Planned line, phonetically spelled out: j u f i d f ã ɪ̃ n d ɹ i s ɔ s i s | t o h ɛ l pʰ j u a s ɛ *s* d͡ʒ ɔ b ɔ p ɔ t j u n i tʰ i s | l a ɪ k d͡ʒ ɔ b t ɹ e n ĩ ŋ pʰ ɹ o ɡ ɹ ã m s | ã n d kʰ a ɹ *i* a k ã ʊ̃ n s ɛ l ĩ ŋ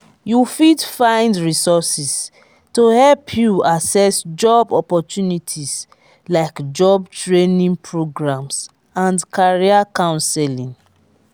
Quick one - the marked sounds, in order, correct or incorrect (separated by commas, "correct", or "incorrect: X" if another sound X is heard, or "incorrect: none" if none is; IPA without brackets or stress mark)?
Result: correct, correct